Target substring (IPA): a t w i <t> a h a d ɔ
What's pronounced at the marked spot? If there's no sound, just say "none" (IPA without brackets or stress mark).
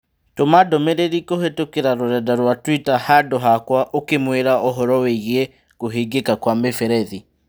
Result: t